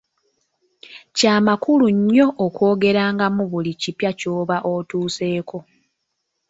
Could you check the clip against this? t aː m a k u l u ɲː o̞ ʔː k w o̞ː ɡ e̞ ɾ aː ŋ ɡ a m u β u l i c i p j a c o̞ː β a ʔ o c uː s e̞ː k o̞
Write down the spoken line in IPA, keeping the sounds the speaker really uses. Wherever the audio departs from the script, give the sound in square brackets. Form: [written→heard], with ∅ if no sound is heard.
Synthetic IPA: [t→c] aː m a k u l u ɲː o̞ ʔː k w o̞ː ɡ e̞ ɾ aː ŋ ɡ a m u β u l i c i p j a c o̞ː β a ʔ o [c→t] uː s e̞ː k o̞